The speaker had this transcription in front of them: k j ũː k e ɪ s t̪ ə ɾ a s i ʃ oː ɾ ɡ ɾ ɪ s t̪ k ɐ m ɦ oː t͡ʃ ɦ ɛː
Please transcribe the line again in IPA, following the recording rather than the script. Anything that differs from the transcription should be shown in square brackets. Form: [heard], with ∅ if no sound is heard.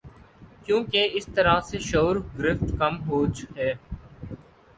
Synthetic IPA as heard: k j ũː k e ɪ s t̪ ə ɾ a s [e] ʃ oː ɾ ɡ ɾ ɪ [f] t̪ k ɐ m ɦ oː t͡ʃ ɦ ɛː